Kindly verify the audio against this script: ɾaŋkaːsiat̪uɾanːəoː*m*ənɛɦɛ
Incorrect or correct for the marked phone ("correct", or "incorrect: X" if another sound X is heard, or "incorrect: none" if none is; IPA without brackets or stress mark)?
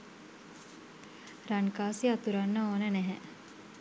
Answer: incorrect: n